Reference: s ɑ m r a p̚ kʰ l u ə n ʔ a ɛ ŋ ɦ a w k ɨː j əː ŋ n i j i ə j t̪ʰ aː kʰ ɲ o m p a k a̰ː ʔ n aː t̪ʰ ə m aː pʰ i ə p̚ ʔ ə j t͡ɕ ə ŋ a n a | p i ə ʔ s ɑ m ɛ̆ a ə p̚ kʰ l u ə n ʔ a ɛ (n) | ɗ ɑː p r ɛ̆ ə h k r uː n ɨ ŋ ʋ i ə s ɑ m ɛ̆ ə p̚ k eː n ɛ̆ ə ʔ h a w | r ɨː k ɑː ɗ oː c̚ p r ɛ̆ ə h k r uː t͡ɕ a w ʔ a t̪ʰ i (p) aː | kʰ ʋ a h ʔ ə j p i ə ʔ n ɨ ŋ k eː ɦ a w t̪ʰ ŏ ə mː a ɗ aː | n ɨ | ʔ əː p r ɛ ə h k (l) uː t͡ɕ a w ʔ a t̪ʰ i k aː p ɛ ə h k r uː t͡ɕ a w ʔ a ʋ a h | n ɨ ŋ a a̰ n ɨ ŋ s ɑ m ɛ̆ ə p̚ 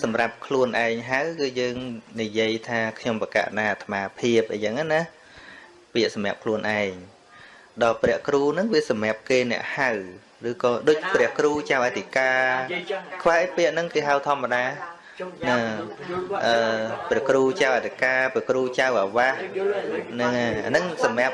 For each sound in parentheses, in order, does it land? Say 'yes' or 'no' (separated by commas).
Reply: no, no, no